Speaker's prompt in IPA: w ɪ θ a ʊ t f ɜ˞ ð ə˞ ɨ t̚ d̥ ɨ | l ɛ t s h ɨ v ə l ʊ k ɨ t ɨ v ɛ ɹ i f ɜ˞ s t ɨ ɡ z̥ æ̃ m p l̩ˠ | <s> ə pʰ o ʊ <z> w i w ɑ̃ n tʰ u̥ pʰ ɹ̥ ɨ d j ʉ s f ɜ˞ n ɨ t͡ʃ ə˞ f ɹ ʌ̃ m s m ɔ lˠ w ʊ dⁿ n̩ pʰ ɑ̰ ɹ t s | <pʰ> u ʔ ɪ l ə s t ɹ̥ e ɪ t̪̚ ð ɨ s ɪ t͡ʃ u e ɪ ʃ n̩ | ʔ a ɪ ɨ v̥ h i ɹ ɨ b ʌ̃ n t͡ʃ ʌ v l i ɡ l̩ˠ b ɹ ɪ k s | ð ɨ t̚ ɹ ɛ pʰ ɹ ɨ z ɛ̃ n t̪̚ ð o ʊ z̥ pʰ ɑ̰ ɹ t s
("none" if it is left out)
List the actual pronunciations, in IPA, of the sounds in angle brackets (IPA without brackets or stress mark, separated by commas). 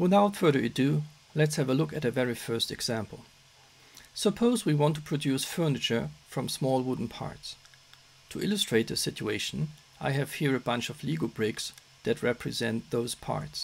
s, z, tʰ